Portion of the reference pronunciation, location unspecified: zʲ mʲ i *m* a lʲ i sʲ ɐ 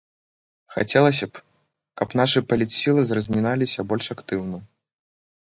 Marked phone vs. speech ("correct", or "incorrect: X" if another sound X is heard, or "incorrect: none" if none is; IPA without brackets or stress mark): incorrect: n